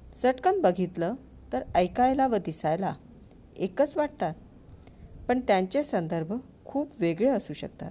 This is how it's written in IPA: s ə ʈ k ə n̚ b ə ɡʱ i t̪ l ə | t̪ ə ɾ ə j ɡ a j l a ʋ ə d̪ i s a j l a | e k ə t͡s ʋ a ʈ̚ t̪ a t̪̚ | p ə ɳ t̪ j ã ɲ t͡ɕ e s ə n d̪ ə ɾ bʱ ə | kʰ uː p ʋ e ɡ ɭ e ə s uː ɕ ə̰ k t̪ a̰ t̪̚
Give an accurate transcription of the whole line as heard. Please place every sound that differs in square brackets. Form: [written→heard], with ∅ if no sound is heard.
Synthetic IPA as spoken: s ə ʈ k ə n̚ b ə ɡʱ i t̪ l ə | t̪ ə ɾ ə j [ɡ→k] a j l a ʋ ə d̪ i s a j l a | e k ə t͡s ʋ a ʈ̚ t̪ a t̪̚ | p ə ɳ t̪ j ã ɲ t͡ɕ e s ə n d̪ ə ɾ bʱ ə | kʰ uː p ʋ e ɡ ɭ e ə s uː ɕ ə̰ k t̪ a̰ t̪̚